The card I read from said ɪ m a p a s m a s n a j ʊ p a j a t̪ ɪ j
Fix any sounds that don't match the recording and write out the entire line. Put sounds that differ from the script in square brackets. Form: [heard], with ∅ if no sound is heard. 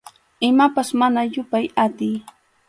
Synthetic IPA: ɪ m a p a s m a [∅] n a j ʊ p a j a t̪ ɪ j